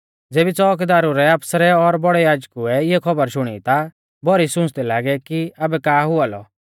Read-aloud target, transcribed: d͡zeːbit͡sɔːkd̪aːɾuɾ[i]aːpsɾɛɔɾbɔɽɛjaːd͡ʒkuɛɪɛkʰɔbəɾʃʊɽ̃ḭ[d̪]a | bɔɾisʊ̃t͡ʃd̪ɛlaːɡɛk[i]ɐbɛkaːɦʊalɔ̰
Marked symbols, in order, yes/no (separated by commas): no, no, yes